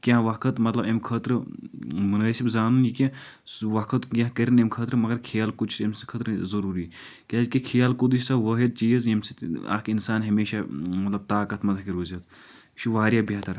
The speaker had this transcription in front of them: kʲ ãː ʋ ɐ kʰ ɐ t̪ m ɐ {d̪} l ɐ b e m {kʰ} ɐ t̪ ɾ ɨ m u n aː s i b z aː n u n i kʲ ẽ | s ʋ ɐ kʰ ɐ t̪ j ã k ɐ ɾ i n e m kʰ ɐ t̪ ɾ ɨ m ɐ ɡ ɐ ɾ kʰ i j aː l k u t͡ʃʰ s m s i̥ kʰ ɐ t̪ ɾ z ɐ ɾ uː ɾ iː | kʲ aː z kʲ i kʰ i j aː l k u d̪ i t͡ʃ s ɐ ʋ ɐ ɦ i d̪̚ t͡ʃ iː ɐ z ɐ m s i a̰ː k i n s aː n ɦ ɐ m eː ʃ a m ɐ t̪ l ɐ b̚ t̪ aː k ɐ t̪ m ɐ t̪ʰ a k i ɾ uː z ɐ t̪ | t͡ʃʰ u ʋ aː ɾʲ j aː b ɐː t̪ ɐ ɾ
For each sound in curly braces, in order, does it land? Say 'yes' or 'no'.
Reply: no, yes

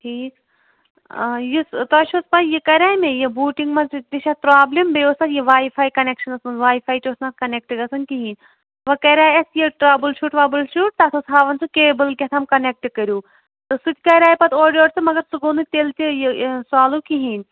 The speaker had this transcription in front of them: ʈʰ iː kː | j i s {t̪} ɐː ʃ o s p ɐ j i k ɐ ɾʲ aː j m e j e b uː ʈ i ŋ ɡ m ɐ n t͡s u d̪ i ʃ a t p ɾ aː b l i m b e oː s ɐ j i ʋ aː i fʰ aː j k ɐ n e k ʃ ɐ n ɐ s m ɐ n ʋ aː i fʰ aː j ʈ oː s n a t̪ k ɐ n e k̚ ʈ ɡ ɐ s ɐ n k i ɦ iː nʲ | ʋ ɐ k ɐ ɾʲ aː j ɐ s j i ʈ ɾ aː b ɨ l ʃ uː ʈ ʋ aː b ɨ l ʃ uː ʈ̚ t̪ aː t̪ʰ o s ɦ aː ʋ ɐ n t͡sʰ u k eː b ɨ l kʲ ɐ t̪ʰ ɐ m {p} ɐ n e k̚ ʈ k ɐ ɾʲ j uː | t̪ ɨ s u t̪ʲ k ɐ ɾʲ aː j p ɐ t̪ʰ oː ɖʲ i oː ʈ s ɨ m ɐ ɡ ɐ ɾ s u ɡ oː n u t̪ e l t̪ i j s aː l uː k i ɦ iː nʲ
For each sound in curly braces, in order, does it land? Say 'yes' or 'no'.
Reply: yes, no

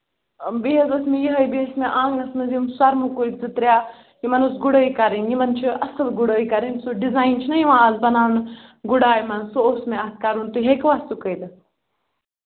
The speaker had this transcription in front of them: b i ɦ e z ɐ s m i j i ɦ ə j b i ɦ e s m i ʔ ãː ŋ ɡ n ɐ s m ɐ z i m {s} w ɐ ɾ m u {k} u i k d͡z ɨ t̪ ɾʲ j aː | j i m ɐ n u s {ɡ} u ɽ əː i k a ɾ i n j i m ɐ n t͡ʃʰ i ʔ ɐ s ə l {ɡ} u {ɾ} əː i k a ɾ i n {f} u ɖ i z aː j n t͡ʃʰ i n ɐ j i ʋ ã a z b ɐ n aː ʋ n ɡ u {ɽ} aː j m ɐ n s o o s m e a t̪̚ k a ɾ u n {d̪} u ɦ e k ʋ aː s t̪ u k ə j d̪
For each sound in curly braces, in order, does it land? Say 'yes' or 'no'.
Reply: yes, yes, yes, yes, no, no, yes, no

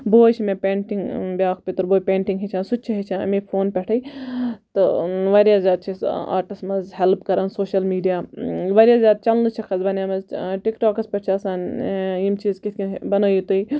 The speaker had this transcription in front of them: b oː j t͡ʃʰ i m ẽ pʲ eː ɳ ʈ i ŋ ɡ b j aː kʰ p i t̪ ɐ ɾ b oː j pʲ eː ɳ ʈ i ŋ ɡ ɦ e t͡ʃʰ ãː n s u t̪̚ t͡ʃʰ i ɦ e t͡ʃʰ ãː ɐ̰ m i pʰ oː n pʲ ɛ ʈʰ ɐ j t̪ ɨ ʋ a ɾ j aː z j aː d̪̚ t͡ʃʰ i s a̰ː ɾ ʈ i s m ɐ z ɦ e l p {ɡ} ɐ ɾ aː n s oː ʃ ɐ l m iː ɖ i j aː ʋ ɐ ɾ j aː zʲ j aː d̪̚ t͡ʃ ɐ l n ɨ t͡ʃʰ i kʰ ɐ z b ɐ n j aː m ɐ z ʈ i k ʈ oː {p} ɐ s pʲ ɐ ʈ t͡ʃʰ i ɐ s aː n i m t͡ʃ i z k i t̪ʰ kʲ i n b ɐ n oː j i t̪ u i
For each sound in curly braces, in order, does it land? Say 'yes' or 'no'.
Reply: no, no

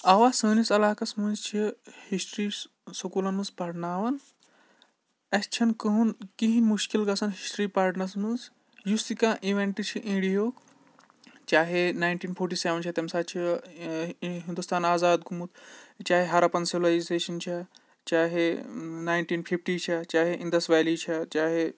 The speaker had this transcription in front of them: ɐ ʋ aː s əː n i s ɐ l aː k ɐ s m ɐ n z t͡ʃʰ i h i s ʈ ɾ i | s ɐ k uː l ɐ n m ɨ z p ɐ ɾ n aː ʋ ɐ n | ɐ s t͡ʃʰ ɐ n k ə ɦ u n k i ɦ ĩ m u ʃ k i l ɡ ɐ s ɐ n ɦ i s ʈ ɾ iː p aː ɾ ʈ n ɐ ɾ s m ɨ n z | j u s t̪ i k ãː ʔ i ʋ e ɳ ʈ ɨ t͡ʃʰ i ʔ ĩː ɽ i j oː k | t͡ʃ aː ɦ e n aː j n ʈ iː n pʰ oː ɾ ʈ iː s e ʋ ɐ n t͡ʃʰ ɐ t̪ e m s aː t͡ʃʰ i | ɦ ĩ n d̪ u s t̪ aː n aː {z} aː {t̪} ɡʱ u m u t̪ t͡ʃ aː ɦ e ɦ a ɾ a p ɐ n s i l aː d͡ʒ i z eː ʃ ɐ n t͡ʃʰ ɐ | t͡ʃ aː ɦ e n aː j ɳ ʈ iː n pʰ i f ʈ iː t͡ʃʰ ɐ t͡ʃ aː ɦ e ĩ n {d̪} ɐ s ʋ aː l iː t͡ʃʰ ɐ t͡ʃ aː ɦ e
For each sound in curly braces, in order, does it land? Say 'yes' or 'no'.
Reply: yes, no, yes

